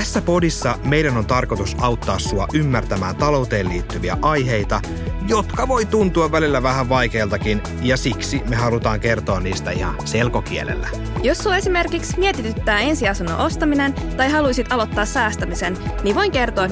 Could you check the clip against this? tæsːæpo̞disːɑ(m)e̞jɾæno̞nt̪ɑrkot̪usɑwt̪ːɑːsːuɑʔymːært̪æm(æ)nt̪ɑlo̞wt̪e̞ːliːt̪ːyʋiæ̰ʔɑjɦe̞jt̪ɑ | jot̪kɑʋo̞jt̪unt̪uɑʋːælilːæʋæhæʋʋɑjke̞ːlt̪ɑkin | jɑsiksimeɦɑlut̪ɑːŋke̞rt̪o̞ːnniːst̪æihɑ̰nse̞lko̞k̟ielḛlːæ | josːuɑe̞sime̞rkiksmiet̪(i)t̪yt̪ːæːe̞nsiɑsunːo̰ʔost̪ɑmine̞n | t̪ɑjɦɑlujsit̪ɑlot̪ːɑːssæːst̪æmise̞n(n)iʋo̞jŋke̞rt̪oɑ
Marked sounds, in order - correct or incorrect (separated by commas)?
correct, incorrect, correct, correct